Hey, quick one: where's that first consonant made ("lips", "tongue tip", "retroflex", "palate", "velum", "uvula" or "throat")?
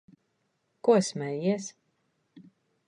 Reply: velum